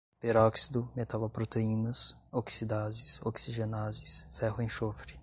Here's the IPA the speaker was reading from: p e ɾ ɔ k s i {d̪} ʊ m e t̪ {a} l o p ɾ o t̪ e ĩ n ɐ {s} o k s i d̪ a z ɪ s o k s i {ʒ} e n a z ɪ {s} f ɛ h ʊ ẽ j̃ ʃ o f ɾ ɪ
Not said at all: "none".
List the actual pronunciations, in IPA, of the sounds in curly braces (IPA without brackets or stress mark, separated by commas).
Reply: d̪, a, s, ʒ, s